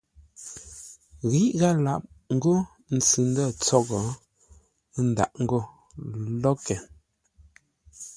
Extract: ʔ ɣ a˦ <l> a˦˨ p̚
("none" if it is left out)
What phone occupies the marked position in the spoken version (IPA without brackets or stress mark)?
l